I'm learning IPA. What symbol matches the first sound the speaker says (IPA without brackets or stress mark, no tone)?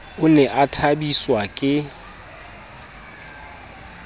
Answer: ʊ